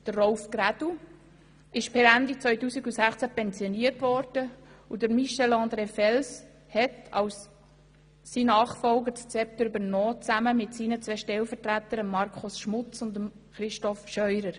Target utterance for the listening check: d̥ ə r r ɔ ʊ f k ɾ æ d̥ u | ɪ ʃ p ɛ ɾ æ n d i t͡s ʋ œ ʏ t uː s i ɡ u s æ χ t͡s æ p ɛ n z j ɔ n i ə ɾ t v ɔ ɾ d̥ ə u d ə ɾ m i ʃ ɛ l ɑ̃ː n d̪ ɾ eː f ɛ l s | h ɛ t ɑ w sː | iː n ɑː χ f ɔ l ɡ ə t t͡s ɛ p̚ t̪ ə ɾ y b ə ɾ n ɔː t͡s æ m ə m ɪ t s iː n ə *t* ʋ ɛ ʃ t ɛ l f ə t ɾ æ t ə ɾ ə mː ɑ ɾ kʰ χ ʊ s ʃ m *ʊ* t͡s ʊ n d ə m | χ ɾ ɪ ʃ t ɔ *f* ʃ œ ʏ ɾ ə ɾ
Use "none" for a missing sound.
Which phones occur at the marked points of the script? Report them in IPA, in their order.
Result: t͡s, ʊ, f

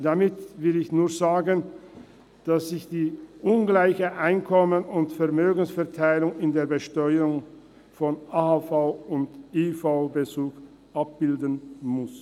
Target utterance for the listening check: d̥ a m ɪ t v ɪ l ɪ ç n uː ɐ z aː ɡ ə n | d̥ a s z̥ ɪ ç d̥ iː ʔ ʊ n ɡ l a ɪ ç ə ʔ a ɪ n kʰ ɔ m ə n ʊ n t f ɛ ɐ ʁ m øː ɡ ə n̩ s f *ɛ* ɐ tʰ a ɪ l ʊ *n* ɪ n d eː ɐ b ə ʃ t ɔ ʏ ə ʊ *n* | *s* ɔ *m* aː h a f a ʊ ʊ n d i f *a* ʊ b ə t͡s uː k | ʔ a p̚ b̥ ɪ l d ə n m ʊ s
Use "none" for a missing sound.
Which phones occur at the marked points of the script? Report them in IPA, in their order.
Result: ɛ, ŋ, ŋ, f, n, a

